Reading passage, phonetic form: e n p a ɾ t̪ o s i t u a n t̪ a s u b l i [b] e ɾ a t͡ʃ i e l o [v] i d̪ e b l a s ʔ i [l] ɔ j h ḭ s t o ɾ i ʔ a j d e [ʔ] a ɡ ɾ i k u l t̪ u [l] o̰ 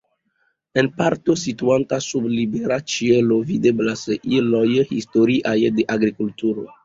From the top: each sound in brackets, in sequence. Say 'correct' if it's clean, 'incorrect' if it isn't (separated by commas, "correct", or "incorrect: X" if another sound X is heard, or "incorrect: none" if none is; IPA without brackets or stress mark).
correct, correct, correct, correct, incorrect: ɾ